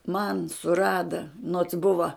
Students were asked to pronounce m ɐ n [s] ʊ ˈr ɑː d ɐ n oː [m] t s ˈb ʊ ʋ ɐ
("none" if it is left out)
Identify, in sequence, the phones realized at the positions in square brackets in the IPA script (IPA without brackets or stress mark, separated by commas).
s, none